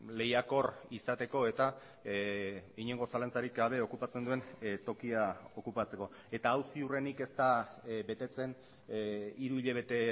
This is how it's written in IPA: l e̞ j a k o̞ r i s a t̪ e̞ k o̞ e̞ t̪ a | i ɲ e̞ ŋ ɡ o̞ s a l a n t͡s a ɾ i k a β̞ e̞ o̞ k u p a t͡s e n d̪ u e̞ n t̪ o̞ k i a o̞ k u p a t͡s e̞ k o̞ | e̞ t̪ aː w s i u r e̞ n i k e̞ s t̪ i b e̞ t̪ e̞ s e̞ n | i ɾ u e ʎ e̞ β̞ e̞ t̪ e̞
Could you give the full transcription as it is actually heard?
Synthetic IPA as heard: l e̞ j a k o̞ r i s a t̪ e̞ k o̞ e̞ t̪ a | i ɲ e̞ ŋ ɡ o̞ s a l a n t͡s a ɾ i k a β̞ e̞ o̞ k u p a t͡s e n d̪ u e̞ n t̪ o̞ k i a o̞ k u p a t͡s e̞ k o̞ | e̞ t̪ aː w s i u r e̞ n i k e̞ s t̪ a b e̞ t̪ e̞ t͡s e̞ n | i ɾ u i ʎ e̞ β̞ e̞ t̪ e̞